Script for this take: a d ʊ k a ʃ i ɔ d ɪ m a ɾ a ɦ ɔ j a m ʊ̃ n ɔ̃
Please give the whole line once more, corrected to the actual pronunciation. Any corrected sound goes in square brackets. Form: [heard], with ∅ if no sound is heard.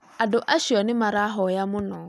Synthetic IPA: a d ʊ [ʔ] a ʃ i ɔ [n] ɪ m a ɾ a ɦ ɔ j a m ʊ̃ n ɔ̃